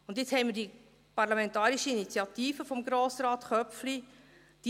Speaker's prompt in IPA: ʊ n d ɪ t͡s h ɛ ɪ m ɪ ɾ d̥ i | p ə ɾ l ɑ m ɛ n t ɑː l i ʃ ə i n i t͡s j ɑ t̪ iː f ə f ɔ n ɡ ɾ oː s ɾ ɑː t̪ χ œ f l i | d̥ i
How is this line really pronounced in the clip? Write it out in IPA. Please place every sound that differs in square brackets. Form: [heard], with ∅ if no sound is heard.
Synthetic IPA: ʊ n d ɪ t͡s h ɛ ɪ m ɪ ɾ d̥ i | p [ɑ] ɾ l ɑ m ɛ n t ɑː [ɾ] i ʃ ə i n i t͡s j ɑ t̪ iː f ə f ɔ [m] ɡ ɾ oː s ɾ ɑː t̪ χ œ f l i | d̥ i